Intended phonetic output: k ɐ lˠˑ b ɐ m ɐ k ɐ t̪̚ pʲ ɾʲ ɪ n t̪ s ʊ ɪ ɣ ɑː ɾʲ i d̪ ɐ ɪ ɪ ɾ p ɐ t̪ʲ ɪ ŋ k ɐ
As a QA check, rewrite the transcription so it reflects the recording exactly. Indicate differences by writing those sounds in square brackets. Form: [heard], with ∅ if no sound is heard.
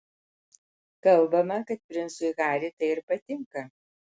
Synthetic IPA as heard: k ɐ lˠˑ b ɐ m ɐ k ɐ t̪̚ pʲ ɾʲ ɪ n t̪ s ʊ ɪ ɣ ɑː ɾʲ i [t̪] ɐ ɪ ɪ ɾ p ɐ t̪ʲ ɪ ŋ k ɐ